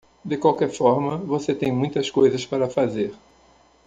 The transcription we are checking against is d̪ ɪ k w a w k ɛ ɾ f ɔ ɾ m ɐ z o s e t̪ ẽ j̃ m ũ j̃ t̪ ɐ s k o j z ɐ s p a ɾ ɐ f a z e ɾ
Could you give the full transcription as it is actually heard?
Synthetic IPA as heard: d̪ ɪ k w a w k ɛ ɾ f ɔ ɾ m ɐ v o s e t̪ ẽ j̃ m ũ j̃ t̪ ɐ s k o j z ɐ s p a ɾ ɐ f a z e ɾ